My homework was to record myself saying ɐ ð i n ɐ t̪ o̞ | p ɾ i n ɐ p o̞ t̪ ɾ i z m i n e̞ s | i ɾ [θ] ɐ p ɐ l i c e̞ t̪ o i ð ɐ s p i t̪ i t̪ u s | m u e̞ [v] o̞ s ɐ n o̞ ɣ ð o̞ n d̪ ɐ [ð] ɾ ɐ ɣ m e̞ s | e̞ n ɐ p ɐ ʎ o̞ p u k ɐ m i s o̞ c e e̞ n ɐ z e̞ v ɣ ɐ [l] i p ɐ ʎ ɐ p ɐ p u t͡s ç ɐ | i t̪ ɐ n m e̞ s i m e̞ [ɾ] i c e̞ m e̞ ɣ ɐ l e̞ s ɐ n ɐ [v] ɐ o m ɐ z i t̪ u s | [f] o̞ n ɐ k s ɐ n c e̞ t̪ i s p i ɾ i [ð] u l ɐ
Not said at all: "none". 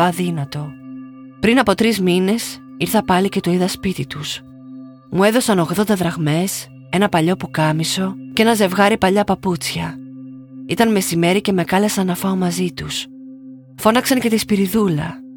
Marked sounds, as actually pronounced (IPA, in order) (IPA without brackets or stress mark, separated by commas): θ, ð, ð, ɾ, ɾ, f, f, ð